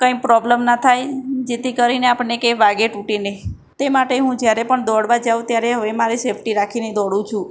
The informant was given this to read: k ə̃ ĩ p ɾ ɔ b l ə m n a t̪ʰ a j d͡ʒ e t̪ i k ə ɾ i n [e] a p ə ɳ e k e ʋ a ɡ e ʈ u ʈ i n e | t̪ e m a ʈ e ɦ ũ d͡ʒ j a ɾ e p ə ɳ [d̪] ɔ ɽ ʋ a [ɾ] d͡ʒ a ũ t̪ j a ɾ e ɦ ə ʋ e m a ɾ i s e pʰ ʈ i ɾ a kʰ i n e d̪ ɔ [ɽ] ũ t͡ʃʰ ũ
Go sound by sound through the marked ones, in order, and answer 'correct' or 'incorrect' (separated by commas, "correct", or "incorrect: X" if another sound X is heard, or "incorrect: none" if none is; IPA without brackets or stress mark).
correct, correct, incorrect: none, correct